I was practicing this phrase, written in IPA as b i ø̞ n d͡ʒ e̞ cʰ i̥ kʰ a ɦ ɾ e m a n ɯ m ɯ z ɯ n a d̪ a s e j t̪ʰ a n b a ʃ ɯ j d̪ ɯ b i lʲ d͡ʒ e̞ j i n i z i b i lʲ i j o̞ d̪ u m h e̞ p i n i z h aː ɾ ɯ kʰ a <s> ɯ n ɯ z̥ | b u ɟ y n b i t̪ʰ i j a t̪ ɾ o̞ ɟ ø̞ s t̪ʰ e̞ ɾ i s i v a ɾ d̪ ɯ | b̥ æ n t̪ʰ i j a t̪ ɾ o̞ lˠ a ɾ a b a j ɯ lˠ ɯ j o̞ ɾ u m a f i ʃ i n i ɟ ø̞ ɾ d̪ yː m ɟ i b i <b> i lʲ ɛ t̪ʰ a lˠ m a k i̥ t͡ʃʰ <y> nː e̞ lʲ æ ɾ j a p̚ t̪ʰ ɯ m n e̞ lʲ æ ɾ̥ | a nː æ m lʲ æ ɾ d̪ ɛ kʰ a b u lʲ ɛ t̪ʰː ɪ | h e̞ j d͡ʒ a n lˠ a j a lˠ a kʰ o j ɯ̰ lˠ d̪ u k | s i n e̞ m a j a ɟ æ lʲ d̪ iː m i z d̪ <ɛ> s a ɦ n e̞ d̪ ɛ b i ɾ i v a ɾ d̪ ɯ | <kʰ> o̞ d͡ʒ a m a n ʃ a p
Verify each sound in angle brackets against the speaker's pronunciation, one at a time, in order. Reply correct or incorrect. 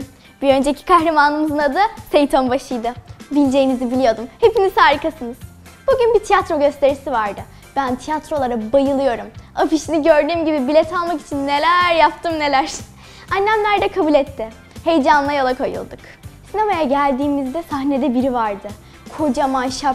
correct, correct, incorrect, correct, correct

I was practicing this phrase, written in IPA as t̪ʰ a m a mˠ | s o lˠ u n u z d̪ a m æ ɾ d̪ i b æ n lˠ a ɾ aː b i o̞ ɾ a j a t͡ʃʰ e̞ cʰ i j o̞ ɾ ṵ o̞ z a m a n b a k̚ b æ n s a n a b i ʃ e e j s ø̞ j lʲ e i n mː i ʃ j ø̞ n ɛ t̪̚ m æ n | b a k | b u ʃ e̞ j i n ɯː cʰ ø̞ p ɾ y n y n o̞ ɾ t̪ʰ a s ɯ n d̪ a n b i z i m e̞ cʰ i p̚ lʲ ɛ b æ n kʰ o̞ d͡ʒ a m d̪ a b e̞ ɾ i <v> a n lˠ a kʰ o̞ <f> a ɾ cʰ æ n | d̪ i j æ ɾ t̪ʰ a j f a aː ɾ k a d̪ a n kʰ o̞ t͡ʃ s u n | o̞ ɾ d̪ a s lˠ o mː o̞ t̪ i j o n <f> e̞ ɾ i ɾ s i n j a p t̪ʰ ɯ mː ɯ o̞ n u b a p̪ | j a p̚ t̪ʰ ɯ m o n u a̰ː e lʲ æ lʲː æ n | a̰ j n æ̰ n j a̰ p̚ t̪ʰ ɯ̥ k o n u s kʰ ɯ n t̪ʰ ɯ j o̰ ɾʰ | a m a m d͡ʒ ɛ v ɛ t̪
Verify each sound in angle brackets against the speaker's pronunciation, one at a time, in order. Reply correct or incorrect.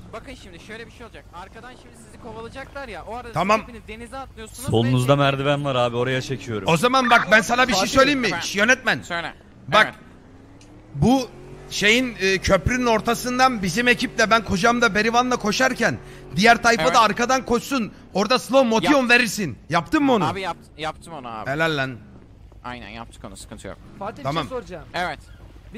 correct, incorrect, incorrect

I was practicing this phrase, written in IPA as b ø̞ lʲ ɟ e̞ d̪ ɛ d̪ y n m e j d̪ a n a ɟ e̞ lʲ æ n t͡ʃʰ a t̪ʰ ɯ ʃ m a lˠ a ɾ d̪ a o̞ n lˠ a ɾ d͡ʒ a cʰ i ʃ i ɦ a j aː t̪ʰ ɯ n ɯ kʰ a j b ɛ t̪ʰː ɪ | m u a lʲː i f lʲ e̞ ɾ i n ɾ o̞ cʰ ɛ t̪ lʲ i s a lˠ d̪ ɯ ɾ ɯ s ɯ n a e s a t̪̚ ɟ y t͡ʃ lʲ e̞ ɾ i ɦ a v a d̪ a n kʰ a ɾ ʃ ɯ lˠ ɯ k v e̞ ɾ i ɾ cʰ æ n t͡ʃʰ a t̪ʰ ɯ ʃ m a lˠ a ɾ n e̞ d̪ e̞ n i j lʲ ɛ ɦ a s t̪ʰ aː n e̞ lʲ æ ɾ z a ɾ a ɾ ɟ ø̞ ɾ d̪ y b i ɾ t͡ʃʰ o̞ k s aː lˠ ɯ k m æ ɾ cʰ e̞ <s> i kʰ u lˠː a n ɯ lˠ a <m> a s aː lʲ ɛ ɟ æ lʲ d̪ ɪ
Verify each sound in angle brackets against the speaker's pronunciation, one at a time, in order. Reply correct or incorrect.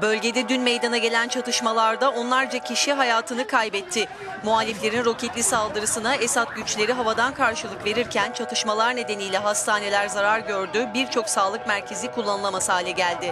incorrect, correct

